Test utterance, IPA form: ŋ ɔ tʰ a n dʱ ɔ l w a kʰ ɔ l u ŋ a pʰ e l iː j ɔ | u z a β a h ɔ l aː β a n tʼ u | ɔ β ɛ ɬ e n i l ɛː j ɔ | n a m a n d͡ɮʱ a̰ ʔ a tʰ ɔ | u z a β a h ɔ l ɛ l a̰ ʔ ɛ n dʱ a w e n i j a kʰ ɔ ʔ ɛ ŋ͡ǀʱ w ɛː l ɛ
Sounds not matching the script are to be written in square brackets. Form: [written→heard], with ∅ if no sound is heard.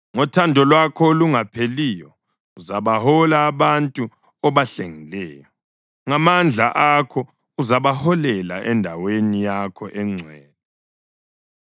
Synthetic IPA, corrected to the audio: ŋ ɔ tʰ a n dʱ ɔ l w a kʰ ɔ l u ŋ a pʰ e l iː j ɔ | u z a β a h ɔ l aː β a n tʼ u | ɔ β [ɛ→a] ɬ e [n→ŋ] i l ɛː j ɔ | [n→ŋ] a m a n d͡ɮʱ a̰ ʔ a [tʰ→kʰ] ɔ | u z a β a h ɔ l ɛ l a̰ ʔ ɛ n dʱ a w e n i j a kʰ ɔ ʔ ɛ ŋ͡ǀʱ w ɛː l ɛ

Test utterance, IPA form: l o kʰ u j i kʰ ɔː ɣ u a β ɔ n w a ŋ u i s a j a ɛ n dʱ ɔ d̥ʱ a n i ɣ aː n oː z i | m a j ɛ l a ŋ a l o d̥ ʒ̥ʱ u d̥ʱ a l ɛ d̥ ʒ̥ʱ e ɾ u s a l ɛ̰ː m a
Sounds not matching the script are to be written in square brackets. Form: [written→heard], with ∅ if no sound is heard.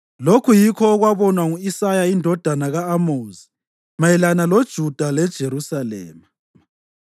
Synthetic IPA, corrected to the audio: l o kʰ u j i kʰ ɔː ɣ [u→w] a β ɔ n w a ŋ u i s a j a [ɛ→i] n dʱ ɔ d̥ʱ a n [i→a] ɣ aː [n→m] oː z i | m a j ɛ l a [ŋ→n] a l o d̥ ʒ̥ʱ u d̥ʱ a l ɛ d̥ ʒ̥ʱ e ɾ u s a l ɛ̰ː m a

